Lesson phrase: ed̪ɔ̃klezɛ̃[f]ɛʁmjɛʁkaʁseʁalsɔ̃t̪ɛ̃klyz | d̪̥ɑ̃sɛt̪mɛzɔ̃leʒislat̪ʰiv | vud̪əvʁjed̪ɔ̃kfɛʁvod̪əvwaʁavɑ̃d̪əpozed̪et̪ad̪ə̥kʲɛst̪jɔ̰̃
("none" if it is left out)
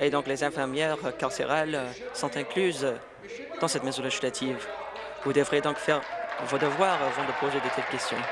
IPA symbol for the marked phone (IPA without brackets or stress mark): f